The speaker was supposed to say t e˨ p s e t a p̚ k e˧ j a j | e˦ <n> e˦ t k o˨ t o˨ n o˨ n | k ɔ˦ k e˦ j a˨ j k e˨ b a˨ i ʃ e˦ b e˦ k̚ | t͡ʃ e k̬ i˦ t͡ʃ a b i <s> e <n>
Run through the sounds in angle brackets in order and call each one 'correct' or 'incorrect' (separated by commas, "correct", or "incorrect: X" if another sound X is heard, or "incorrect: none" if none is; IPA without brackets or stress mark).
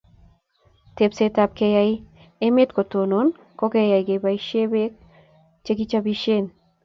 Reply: incorrect: m, incorrect: ʃ, correct